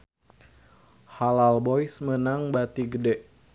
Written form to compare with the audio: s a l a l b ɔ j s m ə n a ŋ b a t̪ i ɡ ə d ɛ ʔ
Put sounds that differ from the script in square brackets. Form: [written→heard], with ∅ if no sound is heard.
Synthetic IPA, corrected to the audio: [s→h] a l a l b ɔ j s m ə n a ŋ b a t̪ i ɡ ə d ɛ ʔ